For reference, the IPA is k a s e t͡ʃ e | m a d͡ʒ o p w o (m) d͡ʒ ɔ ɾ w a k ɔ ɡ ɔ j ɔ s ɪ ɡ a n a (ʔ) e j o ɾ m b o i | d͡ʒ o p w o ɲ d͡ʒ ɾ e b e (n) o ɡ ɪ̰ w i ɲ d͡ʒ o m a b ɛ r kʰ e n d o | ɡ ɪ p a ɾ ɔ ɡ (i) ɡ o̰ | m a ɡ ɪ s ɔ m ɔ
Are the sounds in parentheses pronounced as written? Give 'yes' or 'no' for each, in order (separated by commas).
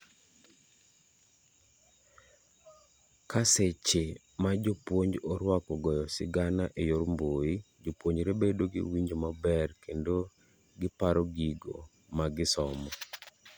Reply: no, yes, no, yes